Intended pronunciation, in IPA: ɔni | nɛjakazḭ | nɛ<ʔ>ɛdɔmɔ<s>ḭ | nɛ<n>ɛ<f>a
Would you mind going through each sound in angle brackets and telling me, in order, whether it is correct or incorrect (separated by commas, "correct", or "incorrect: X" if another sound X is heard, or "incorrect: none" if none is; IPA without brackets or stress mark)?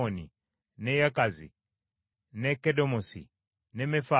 incorrect: k, correct, incorrect: m, correct